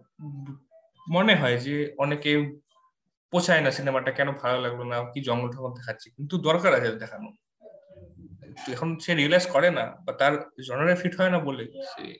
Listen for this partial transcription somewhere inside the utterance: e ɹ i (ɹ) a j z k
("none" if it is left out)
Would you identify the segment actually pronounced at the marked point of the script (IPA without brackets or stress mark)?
l